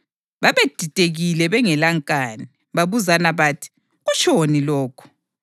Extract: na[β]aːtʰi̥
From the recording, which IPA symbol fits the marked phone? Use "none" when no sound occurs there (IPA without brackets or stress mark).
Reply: β